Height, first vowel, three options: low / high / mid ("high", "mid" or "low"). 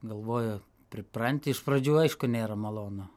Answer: low